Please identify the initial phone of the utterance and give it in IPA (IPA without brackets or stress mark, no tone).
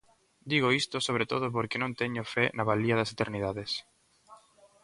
d̪